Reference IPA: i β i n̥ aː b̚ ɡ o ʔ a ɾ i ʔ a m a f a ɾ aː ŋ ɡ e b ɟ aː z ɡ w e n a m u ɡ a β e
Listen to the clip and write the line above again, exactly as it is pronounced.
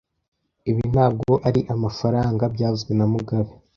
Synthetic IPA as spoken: i β i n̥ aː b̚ ɡ o ʔ a ɾ i ʔ a m a f a ɾ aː ŋ ɡ a b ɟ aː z ɡ w e n a m u ɡ a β e